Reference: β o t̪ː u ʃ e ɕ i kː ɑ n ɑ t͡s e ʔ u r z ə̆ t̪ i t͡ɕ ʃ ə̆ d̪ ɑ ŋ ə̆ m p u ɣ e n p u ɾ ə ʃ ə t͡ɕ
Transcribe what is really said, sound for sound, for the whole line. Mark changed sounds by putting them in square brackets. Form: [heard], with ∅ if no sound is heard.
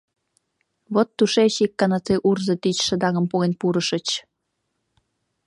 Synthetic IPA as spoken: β o t̪ː u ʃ e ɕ i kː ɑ n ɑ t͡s e ʔ u r z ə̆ t̪ i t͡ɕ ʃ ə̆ d̪ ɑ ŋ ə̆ m p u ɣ e n p u ɾ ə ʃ ə t͡ɕ